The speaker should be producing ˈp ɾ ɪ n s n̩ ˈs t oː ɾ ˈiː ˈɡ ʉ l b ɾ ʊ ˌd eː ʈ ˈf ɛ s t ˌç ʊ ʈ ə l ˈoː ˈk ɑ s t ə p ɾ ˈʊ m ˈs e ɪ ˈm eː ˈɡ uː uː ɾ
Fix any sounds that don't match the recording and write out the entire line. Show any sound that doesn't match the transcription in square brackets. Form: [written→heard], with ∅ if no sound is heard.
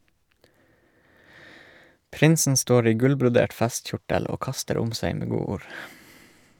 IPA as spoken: ˈp ɾ ɪ n s n̩ ˈs t oː ɾ ˈiː ˈɡ ʉ l b ɾ ʊ ˌd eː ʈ ˈf ɛ s t ˌç ʊ ʈ ə l ˈoː ˈk ɑ s t ə [p→∅] ɾ ˈʊ m ˈs e ɪ ˈm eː ˈɡ uː uː ɾ